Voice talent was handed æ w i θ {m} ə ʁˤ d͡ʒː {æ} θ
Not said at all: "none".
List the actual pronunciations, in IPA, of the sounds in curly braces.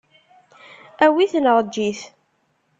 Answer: n, i

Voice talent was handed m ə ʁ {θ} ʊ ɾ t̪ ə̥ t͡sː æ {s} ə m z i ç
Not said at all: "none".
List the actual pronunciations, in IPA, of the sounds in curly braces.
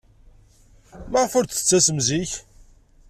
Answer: f, s

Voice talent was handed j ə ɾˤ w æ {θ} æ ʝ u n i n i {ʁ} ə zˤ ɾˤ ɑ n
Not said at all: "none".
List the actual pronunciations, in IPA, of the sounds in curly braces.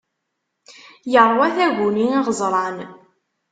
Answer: θ, ʁ

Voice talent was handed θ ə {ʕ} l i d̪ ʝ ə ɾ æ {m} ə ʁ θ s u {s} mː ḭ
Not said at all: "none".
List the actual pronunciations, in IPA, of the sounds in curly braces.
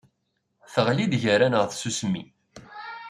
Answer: ʁ, n, s

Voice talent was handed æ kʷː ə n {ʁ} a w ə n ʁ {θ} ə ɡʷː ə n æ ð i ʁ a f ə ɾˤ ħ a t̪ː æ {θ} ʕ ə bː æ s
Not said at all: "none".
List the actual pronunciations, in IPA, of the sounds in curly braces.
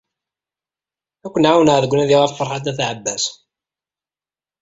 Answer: ʕ, ð, θ

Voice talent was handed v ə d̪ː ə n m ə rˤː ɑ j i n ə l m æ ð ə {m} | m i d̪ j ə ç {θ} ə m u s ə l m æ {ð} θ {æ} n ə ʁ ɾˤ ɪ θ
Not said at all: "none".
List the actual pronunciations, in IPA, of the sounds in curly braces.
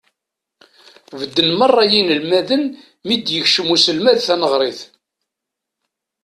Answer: n, ʃ, ð, æ

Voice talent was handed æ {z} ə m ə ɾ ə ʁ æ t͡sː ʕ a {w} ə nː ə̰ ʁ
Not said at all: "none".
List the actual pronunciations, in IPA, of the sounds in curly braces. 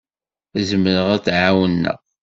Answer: z, w

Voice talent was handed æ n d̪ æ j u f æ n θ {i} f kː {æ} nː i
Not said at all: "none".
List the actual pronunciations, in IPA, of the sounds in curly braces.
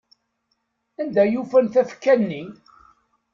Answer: æ, æ

